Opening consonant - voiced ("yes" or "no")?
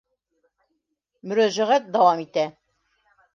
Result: yes